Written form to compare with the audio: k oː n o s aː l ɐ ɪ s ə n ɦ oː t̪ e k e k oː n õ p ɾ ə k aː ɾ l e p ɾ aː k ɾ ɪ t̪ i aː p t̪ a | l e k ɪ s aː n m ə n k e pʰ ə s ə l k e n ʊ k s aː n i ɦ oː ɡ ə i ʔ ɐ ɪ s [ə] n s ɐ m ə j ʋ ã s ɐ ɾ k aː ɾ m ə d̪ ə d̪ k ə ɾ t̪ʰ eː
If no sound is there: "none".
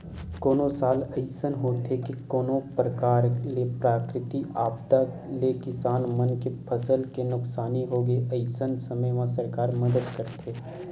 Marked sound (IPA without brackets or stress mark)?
ə